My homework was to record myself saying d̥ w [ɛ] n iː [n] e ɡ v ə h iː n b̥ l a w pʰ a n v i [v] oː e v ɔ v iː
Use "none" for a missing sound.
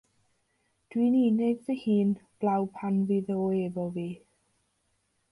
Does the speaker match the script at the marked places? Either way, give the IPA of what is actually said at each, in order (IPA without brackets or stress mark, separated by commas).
i, n, ð